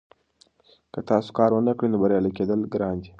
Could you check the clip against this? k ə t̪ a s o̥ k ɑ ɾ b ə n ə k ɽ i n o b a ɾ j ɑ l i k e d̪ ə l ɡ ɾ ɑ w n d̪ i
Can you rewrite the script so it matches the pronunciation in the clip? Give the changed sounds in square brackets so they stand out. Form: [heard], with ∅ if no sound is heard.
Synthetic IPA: k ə t̪ [ɑ] s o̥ k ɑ ɾ [w] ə n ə k ɽ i n o b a ɾ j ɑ l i k e d̪ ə l ɡ ɾ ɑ [∅] n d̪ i